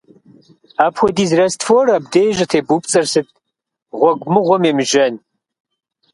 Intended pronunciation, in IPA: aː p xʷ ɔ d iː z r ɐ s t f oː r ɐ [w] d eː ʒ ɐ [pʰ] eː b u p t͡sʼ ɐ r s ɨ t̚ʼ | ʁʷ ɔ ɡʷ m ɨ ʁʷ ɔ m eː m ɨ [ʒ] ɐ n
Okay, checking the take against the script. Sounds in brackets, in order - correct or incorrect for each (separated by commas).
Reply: incorrect, incorrect, correct